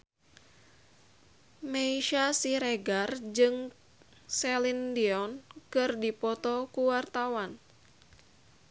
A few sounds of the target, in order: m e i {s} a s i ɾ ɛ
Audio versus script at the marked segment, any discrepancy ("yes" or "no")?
yes